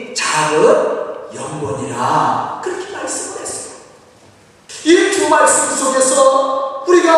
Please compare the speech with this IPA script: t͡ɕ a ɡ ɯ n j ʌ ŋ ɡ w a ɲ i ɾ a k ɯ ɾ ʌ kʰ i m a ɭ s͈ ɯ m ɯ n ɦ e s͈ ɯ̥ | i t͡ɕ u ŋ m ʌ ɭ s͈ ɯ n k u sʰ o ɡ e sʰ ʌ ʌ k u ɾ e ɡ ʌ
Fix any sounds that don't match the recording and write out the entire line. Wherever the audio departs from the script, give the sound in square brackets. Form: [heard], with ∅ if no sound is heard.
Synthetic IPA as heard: t͡ɕ a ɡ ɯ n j ʌ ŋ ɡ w [ʌ] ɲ i ɾ a k ɯ ɾ ʌ kʰ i m a ɭ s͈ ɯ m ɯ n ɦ e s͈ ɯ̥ | i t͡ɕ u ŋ m [a] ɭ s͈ ɯ [m] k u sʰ o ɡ e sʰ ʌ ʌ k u ɾ [i] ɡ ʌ